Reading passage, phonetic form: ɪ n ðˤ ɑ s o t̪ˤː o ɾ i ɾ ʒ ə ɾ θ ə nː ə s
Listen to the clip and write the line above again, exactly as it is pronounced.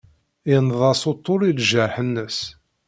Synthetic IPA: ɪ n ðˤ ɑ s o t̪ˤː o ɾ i l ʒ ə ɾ ħ ə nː ə s